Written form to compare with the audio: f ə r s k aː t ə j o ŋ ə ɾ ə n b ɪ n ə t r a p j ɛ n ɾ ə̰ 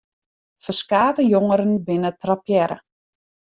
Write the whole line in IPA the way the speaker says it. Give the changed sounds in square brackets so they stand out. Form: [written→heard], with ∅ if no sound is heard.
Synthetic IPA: f ə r s k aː t ə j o ŋ ə ɾ ə n b ɪ n ə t r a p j ɛ [n→∅] ɾ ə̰